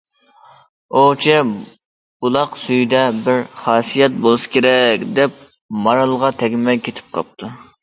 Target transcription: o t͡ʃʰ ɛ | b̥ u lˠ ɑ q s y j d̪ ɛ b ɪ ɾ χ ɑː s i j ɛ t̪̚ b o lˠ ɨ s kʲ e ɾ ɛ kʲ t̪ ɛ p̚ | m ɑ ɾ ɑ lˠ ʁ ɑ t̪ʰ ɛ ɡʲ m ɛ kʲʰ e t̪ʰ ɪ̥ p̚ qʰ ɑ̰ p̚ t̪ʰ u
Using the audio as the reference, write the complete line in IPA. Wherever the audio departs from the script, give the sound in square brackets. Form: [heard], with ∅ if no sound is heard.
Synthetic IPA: o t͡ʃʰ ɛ | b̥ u lˠ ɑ q s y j d̪ ɛ b ɪ ɾ χ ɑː s i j ɛ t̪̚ b o lˠ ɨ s kʲ e ɾ ɛ kʲ [d̪] ɛ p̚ | m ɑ ɾ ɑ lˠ ʁ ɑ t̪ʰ ɛ ɡʲ m ɛ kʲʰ e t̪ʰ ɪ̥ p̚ qʰ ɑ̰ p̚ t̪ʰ u